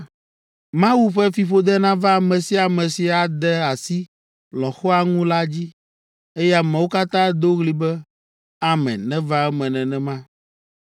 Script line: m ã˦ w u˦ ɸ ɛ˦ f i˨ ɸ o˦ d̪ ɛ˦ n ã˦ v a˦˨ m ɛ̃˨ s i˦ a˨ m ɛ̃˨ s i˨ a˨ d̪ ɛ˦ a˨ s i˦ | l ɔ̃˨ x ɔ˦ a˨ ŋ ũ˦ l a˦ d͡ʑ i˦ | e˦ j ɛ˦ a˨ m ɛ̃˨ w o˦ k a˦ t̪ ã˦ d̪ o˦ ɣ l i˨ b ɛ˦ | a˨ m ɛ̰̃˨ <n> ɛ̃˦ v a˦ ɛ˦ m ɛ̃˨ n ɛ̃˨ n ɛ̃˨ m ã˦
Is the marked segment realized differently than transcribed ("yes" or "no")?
no